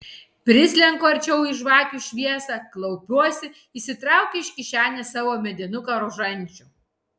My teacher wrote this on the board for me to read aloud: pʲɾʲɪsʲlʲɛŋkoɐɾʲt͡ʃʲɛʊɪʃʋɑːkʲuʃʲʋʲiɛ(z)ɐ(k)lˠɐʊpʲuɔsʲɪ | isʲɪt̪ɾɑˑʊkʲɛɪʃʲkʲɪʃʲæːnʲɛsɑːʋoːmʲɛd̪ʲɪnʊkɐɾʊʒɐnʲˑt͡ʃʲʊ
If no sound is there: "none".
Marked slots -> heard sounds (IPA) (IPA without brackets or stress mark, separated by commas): s, k